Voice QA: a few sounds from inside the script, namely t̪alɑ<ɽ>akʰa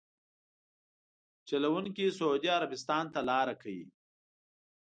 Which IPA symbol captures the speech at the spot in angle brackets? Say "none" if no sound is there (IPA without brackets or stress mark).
ɾ